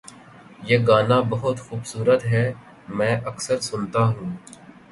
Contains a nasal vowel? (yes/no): yes